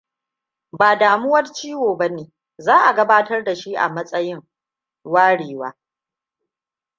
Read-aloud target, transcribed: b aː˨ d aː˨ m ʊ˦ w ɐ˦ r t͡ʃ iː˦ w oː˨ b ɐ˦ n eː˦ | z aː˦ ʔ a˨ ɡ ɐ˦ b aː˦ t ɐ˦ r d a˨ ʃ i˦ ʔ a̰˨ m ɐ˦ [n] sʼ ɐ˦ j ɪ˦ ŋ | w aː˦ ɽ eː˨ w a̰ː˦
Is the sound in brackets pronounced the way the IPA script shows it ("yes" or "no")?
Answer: no